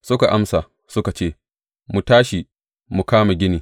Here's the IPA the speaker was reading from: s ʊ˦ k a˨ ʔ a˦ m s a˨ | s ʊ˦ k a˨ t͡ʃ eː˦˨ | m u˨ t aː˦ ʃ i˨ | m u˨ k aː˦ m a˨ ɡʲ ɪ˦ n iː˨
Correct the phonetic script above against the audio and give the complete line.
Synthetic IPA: s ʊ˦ k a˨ ʔ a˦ m s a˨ | s ʊ˦ k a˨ t͡ʃ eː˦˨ | m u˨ t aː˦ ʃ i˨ | m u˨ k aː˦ m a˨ ɡʲ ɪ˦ n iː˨

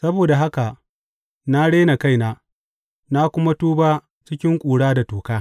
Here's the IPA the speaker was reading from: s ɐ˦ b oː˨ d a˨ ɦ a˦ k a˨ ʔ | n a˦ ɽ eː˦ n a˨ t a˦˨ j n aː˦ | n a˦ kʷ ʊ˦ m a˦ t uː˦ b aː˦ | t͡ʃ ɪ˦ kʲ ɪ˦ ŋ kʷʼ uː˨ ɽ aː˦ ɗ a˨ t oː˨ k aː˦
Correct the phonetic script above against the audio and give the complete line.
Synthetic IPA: s ɐ˦ b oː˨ d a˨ ɦ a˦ k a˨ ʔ | n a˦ ɽ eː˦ n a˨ k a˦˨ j n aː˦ | n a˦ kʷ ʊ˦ m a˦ t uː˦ b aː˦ | t͡ʃ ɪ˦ kʲ ɪ˦ ŋ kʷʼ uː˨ ɽ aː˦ d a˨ t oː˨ k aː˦

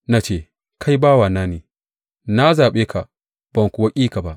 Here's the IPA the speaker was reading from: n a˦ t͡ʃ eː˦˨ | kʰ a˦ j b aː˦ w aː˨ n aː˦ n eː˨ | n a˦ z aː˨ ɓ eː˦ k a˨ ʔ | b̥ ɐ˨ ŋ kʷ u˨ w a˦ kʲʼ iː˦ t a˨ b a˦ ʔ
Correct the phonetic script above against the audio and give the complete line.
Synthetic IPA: n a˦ t͡ʃ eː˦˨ | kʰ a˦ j b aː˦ w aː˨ n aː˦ n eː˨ | n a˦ z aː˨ ɓ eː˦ k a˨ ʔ | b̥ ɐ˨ ŋ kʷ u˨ w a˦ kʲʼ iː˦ k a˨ b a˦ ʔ

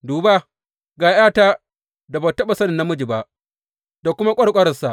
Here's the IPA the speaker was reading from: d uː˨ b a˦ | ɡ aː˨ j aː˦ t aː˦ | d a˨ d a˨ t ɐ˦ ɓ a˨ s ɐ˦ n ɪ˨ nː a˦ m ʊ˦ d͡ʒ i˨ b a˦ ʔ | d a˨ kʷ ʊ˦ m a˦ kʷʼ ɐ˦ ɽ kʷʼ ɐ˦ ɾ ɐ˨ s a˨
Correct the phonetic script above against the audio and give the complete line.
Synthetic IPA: d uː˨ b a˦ | ɡ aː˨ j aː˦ t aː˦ | d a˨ b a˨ t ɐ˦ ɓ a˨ s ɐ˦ n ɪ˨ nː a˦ m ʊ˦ d͡ʒ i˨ b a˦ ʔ | d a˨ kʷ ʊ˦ m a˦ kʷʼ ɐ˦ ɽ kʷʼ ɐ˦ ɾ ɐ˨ s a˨

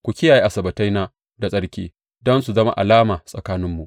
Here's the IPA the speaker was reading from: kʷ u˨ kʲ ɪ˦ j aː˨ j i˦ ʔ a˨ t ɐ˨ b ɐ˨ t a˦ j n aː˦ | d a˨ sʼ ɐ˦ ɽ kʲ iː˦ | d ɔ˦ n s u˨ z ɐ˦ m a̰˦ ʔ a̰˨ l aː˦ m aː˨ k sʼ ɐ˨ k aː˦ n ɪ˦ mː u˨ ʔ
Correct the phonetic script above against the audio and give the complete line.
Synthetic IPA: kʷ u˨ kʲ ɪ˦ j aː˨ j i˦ ʔ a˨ s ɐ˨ b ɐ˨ t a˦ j n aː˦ | d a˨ sʼ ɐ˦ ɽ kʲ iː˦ | d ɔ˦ n s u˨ z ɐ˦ m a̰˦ ʔ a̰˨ l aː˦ m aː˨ sʼ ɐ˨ k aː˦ n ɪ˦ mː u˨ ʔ

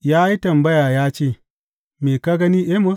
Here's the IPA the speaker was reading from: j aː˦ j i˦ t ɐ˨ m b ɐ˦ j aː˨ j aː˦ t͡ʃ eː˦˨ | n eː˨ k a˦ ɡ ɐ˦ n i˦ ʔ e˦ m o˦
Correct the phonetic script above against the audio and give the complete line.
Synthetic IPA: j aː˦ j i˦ t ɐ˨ m b ɐ˦ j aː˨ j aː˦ t͡ʃ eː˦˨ | m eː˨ k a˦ ɡ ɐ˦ n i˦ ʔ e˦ m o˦

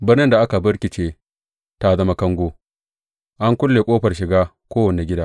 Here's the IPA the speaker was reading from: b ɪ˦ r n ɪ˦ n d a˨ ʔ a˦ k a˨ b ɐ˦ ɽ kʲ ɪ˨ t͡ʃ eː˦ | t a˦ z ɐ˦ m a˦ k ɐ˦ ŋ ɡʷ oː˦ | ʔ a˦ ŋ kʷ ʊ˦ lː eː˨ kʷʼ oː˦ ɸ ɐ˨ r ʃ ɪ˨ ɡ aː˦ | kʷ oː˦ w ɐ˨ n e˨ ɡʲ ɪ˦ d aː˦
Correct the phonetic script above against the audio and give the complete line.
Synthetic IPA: b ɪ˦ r n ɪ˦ n d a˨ ʔ a˦ k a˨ b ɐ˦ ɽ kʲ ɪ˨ t͡ʃ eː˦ | t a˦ z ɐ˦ m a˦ k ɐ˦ ŋ ɡʷ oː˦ | ʔ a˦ ŋ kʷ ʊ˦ lː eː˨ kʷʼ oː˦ ɸ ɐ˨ r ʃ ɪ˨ ɡ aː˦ | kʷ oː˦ w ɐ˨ n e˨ ɡʲ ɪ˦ d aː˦

